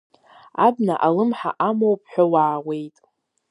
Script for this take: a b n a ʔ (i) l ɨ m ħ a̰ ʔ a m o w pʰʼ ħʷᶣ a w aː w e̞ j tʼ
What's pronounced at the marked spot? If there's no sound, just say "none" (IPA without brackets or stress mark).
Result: a